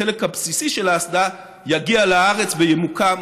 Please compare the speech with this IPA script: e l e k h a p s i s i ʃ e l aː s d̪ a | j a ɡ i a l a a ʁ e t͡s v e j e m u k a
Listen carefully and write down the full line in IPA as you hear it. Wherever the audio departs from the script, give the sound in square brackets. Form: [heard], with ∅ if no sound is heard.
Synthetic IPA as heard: e l e k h a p s i s i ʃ e l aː s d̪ a | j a ɡ i a l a a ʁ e t͡s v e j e m u k a